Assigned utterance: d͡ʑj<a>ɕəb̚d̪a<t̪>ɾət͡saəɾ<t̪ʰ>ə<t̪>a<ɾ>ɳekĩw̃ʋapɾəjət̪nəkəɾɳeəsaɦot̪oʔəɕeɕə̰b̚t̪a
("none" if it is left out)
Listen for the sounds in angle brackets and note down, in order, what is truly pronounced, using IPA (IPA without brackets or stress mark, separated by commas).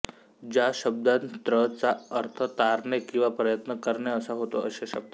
a, t̪, t̪ʰ, t̪, ɾ